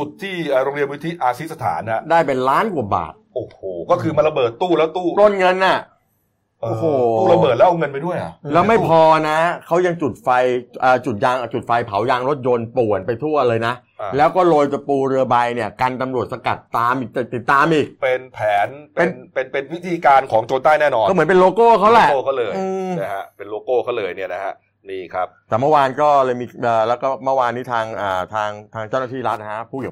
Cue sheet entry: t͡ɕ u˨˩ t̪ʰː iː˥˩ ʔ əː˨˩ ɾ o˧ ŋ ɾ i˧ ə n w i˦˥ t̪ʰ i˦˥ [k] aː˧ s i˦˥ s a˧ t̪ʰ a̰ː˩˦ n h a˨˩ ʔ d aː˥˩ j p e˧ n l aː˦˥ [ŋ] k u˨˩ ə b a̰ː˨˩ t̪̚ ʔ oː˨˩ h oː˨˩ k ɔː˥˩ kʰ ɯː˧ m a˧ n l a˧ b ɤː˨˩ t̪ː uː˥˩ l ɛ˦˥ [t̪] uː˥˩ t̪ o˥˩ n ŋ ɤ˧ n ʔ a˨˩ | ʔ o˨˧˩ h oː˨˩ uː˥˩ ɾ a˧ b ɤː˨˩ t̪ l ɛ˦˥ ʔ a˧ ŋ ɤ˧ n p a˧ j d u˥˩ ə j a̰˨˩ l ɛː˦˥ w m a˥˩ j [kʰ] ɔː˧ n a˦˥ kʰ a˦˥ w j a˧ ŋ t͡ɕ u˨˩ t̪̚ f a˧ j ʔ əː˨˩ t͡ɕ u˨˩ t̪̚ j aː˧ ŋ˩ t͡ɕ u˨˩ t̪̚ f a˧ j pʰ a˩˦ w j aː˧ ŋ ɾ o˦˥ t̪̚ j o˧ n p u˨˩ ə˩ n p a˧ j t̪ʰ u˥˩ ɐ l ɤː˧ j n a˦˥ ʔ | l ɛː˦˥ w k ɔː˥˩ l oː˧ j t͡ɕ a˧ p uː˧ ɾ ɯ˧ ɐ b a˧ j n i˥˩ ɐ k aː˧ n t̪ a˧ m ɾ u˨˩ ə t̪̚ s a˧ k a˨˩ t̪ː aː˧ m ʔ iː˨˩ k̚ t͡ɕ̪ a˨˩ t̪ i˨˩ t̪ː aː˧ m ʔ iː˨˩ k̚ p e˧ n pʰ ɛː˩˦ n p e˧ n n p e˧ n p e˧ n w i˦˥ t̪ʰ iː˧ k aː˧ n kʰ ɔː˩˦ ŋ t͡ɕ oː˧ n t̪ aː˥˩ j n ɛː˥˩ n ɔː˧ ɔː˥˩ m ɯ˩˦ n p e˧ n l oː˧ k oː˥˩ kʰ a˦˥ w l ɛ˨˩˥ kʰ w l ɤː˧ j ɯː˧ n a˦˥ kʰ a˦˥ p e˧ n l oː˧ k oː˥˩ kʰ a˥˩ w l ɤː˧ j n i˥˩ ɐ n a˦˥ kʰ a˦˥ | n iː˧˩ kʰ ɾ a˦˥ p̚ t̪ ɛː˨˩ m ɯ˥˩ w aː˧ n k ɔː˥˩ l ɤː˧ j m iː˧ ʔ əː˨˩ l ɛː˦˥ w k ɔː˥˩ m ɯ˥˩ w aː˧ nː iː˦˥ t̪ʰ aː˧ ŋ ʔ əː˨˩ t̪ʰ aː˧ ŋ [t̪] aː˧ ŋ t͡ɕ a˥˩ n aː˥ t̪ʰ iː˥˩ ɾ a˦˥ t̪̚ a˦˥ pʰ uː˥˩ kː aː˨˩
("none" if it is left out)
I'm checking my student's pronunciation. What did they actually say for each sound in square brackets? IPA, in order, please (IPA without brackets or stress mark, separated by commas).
ʔ, n, t̪, pʰ, t̪ʰ